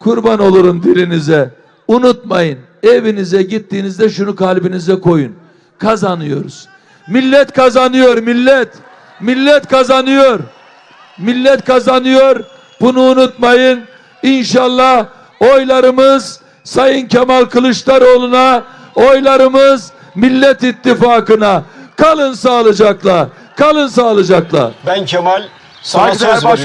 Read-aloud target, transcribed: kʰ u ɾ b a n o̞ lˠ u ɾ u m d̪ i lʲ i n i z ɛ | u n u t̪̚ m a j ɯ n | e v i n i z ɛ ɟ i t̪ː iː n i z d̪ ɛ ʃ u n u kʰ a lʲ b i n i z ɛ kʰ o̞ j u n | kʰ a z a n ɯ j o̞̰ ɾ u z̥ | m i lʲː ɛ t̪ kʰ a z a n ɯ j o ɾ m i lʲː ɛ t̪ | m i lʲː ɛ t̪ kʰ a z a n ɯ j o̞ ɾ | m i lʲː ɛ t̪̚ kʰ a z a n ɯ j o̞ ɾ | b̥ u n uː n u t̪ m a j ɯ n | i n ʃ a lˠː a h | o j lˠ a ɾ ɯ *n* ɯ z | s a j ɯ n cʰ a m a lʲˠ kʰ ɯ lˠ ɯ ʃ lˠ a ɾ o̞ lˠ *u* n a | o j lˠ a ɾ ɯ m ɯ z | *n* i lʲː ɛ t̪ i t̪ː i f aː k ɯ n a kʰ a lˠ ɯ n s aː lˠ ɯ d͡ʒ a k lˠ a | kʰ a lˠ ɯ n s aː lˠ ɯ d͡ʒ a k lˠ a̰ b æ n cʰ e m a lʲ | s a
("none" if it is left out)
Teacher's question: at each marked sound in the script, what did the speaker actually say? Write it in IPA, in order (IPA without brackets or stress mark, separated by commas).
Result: m, u, m